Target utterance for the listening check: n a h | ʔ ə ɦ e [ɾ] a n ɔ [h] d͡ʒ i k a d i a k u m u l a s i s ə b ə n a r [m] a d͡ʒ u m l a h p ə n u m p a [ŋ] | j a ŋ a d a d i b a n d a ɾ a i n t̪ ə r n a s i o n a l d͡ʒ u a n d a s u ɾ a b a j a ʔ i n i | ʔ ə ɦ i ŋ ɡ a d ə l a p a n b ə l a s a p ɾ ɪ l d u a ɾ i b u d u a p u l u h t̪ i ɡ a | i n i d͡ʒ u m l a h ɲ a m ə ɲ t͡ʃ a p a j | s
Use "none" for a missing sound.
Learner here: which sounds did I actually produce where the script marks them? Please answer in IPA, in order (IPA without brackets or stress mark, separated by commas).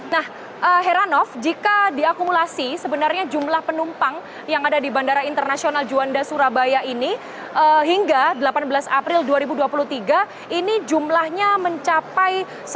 ɾ, f, ɲ, ŋ